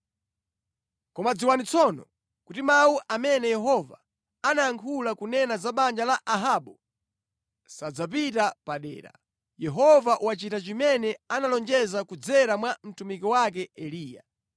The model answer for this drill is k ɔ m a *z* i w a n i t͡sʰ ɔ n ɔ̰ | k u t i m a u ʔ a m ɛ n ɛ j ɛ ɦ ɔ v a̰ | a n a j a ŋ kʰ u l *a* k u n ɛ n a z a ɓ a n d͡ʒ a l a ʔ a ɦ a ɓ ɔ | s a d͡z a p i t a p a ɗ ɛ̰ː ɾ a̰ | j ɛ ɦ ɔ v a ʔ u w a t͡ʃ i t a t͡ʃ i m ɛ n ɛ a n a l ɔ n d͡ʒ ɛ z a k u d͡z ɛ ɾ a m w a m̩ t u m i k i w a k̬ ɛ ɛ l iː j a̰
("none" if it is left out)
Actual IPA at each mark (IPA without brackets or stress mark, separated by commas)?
d͡z, a